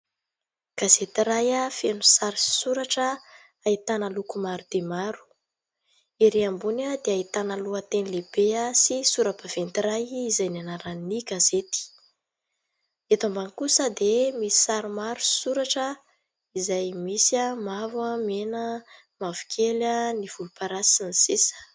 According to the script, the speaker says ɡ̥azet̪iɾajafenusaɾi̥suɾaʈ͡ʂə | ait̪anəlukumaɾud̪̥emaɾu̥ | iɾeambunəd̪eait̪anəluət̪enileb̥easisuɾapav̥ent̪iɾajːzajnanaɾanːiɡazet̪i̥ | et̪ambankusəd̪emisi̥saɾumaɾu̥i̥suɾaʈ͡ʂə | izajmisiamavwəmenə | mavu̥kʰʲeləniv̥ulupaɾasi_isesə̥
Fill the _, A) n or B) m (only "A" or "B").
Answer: A